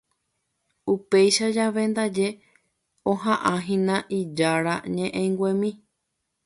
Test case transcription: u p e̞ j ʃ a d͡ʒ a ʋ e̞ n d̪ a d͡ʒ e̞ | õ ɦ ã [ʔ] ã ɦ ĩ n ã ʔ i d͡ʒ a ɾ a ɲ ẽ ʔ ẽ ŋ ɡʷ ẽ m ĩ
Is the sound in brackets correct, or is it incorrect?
correct